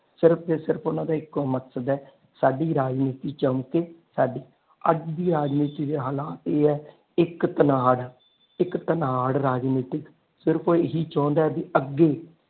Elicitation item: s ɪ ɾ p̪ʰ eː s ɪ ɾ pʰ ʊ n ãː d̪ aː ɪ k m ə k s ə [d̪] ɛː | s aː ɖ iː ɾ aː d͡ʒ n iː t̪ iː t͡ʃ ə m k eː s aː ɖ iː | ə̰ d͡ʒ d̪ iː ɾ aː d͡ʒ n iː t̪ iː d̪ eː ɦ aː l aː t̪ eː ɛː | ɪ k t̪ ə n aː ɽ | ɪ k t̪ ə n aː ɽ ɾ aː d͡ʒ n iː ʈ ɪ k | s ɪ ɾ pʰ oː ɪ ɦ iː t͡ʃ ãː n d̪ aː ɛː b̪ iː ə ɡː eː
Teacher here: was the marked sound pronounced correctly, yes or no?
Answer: yes